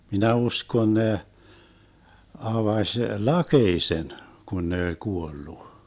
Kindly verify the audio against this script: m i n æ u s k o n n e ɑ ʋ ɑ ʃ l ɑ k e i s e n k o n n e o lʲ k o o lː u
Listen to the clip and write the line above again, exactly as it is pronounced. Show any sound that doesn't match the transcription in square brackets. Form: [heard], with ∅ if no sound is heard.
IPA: m i n æ u s k o n n e ɑ ʋ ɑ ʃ l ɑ k e i s e n k [u] n n e o lʲ k [u] o lː u